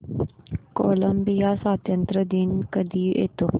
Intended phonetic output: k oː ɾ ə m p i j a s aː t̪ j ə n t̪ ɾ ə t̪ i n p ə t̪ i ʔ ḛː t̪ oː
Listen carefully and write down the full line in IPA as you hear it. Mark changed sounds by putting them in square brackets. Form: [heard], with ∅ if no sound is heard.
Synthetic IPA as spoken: k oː [l] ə m [b] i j a s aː t̪ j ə n t̪ ɾ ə [d̪] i n [k] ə [d̪] i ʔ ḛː t̪ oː